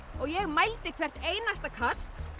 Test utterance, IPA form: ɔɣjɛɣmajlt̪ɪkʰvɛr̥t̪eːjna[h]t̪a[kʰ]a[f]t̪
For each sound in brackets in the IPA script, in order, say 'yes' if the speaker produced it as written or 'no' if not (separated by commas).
no, yes, no